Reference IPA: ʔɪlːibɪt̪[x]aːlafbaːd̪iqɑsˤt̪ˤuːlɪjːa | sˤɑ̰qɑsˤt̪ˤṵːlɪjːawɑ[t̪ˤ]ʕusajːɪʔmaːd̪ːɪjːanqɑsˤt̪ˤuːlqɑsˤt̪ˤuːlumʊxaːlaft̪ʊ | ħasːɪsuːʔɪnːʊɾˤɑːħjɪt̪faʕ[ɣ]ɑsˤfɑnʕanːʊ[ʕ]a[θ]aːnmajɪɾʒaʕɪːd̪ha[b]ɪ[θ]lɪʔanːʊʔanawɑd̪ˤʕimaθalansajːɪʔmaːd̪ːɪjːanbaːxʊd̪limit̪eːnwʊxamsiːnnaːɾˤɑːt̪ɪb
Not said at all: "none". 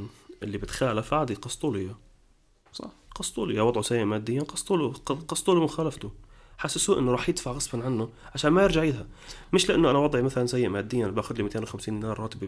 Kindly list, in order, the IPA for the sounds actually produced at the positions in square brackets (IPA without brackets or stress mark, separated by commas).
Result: x, d̪ˤ, ɣ, ʕ, ʃ, m, ʃ